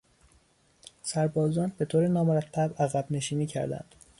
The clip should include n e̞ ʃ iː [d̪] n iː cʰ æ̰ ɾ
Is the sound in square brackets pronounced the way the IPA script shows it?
no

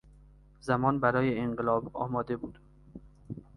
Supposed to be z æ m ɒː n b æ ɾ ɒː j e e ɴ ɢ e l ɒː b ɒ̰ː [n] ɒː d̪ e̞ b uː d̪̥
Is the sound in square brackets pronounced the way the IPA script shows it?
no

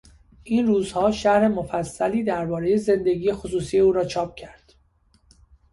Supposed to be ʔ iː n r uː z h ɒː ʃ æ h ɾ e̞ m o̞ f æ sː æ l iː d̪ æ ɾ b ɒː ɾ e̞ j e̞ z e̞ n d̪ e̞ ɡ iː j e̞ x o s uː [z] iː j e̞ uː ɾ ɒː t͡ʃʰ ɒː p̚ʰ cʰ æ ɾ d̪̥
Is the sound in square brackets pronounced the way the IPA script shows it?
no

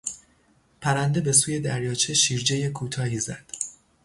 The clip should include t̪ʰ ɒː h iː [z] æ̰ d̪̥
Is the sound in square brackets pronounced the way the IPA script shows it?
yes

